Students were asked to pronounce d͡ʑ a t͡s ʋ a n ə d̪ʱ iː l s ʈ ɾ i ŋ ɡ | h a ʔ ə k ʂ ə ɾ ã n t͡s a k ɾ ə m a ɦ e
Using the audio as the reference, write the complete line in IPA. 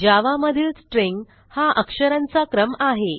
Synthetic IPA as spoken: d͡ʑ a ʋ a m ə d̪ʱ iː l s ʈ ɾ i ŋ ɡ | h a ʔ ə k ʂ ə ɾ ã n t͡s a k ɾ ə m a ɦ e